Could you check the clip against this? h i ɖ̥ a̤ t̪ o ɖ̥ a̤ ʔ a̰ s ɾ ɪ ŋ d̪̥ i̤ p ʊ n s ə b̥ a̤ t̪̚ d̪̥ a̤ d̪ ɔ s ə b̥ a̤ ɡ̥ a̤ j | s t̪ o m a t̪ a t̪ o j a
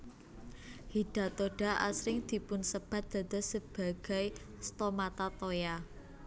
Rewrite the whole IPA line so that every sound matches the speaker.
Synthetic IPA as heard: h i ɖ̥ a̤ t̪ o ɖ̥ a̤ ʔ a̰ s ɾ ɪ ŋ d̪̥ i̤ p ʊ n s ə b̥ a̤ t̪̚ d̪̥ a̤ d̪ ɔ s ə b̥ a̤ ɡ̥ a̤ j | s t̪ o m a t̪ a t̪ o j a